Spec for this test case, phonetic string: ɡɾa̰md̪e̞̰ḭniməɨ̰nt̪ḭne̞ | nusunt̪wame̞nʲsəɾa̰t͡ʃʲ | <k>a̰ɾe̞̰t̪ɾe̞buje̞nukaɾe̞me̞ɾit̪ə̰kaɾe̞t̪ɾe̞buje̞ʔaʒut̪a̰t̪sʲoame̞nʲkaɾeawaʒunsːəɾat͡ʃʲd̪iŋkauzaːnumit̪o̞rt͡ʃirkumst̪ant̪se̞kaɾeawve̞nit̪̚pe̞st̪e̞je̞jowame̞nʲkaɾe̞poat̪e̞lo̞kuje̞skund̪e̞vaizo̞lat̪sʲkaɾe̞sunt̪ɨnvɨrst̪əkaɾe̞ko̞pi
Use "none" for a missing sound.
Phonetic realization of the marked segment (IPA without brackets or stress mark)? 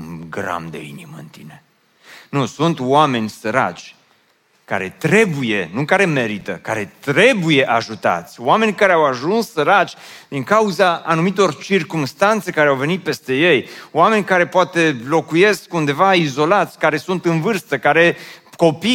k